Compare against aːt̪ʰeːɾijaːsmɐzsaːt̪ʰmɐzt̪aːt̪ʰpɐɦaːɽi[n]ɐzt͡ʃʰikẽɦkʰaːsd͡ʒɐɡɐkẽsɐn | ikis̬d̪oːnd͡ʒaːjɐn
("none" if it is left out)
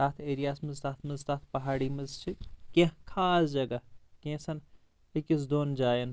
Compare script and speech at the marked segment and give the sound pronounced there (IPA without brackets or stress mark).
m